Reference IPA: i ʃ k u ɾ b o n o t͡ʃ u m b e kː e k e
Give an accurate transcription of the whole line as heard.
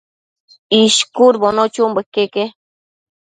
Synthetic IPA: i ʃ k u ɾ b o n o t͡ʃ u m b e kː e k e